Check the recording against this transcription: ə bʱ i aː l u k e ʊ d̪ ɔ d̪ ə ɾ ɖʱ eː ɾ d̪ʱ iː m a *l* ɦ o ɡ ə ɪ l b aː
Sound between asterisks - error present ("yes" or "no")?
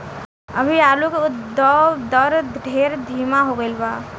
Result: yes